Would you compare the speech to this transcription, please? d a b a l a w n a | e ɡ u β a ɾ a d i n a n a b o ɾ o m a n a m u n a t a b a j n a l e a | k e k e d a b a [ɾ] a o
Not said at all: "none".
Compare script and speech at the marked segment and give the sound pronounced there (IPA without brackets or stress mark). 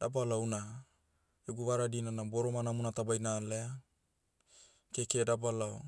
l